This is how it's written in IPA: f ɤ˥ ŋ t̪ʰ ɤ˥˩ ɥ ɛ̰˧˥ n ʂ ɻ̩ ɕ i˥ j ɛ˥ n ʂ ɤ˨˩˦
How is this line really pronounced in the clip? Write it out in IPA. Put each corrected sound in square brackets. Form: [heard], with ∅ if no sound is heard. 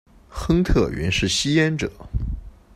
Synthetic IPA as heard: [x] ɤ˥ ŋ t̪ʰ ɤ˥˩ ɥ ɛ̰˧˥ n ʂ ɻ̩ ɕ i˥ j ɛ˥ n [ʈ͡ʂ] ɤ˨˩˦

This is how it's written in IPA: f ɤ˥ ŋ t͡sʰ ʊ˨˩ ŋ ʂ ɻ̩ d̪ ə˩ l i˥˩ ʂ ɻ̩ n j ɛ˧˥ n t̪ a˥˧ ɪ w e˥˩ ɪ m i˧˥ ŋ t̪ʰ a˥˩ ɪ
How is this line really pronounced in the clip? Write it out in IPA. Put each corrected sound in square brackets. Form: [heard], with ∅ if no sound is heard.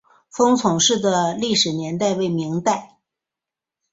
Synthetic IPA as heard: f ɤ˥ ŋ t͡sʰ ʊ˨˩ ŋ ʂ ɻ̩ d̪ ə˩ l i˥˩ ʂ ɻ̩ n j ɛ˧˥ n t̪ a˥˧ ɪ w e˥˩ ɪ m i˧˥ ŋ [t̪] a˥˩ ɪ

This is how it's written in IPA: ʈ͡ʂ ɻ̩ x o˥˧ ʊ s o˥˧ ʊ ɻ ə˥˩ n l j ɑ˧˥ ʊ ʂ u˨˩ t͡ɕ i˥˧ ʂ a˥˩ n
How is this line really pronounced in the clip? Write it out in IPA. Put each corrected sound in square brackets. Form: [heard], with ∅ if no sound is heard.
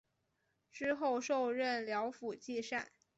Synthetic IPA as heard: ʈ͡ʂ ɻ̩ x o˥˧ ʊ [ʂ] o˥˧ ʊ ɻ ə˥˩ n l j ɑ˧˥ ʊ [f] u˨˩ t͡ɕ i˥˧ ʂ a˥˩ n

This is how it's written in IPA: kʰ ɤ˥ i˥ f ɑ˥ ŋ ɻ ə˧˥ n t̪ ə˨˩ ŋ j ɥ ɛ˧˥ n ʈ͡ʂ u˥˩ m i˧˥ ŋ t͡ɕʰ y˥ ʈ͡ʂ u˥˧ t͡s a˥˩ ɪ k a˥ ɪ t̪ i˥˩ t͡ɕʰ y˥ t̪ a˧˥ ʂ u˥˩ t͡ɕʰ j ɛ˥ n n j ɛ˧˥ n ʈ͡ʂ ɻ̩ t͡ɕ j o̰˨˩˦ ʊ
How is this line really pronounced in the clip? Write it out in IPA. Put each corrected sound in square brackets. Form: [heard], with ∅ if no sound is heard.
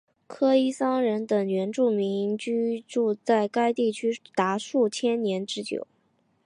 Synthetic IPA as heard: kʰ ɤ˥ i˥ [s] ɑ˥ ŋ ɻ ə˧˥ n t̪ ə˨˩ ŋ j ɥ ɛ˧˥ n ʈ͡ʂ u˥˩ m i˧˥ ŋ [t͡ɕ] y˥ ʈ͡ʂ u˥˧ t͡s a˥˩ ɪ k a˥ ɪ t̪ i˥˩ t͡ɕʰ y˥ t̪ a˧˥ ʂ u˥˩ t͡ɕʰ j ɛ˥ n n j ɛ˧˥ n ʈ͡ʂ ɻ̩ t͡ɕ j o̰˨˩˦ ʊ

